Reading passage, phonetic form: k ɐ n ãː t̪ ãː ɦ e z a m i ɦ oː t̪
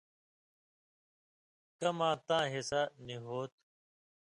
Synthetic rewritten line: k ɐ m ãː t̪ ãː ɦ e s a n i ɦ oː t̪